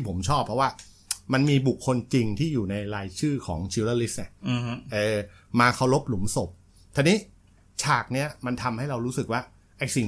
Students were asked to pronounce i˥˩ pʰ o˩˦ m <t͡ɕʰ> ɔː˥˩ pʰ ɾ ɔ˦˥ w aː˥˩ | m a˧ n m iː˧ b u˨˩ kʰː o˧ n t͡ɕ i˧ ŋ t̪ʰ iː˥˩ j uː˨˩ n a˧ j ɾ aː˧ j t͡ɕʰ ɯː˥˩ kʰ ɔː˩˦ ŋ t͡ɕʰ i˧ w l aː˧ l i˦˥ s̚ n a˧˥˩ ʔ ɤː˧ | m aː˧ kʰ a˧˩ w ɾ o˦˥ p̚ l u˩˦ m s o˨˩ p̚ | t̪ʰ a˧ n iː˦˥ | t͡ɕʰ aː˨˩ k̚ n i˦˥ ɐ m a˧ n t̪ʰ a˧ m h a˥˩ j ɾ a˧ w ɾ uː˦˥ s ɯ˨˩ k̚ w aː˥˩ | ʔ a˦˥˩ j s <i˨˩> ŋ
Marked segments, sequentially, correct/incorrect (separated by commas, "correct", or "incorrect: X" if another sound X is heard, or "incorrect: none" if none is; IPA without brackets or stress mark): correct, correct